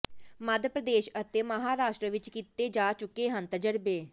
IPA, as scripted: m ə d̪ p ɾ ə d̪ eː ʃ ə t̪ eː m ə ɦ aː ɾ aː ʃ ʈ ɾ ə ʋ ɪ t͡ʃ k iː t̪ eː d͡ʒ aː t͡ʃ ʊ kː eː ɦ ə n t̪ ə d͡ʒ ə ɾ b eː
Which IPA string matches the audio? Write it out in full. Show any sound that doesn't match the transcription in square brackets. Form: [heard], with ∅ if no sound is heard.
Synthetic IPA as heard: m ə d̪ p ɾ ə d̪ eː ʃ ə t̪ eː m ə ɦ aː ɾ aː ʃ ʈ ɾ ə ʋ ɪ t͡ʃ k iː t̪ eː d͡ʒ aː t͡ʃ ʊ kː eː ɦ ə n t̪ ə d͡ʒ ə ɾ b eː